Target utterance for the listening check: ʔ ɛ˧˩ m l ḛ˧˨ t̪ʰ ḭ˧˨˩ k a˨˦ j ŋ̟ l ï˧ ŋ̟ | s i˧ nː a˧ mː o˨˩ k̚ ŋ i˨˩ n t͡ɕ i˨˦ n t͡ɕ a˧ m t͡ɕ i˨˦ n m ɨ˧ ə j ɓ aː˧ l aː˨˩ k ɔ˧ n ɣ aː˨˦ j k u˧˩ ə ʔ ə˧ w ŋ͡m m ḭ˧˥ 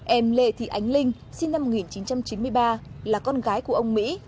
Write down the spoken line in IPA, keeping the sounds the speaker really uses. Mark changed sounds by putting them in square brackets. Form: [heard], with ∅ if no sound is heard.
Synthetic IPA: ʔ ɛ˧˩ m l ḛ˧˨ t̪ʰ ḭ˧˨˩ [ʔ] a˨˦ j ŋ̟ l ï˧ ŋ̟ | s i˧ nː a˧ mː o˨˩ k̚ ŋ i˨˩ n t͡ɕ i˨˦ n t͡ɕ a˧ m t͡ɕ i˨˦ n m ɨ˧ ə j ɓ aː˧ l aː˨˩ k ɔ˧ n ɣ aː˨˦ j k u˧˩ ə ʔ ə˧ w ŋ͡m m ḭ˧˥